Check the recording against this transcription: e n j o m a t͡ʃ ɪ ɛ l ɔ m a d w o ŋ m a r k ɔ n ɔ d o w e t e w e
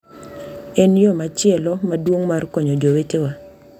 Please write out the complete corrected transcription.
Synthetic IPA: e n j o m a t͡ʃ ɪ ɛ l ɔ m a d w o ŋ m a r k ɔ ɲ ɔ d͡ʒ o w e t e w a